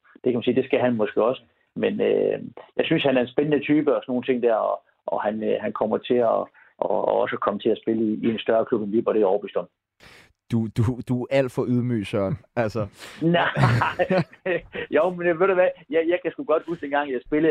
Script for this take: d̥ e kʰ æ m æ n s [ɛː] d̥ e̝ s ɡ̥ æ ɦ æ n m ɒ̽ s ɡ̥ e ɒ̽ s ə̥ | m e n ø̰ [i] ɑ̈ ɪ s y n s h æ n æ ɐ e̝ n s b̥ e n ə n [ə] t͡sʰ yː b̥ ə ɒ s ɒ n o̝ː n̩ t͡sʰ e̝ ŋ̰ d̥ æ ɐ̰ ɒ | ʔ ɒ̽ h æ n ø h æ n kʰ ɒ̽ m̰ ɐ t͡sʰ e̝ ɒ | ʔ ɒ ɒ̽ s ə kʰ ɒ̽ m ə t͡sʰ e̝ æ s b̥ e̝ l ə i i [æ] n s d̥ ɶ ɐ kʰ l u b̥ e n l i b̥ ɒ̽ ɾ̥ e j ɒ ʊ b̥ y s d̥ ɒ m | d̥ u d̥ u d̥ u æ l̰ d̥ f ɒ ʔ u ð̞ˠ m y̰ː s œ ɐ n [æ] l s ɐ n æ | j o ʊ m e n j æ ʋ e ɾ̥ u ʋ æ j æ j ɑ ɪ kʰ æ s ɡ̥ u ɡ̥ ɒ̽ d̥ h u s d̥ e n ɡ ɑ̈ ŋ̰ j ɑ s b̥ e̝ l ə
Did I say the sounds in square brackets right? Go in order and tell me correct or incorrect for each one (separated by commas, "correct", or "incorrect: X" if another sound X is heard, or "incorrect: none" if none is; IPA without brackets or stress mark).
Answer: incorrect: iː, incorrect: j, correct, incorrect: e, correct